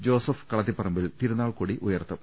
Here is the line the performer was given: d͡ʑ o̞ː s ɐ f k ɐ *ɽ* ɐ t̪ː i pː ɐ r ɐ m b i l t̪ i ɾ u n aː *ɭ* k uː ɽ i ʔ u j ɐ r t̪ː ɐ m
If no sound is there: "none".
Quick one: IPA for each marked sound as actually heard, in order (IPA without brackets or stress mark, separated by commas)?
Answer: ɭ, ɭ